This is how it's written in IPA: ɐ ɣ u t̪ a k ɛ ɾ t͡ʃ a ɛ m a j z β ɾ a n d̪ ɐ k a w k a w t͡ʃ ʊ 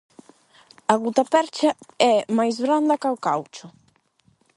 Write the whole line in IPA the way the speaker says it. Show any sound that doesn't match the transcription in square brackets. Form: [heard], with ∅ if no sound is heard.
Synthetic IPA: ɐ ɣ u t̪ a [p] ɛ ɾ t͡ʃ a ɛ m a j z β ɾ a n d̪ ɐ k a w k a w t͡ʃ ʊ